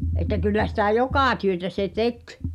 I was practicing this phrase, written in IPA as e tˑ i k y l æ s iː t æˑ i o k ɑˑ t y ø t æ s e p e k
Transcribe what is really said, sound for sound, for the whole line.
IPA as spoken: e tˑ æ k y lː æ s i t æˑ j o k ɑˑ t y ø t æ s e t e k